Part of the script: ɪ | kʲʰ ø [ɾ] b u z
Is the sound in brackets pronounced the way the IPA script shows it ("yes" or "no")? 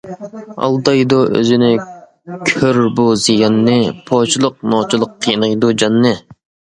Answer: yes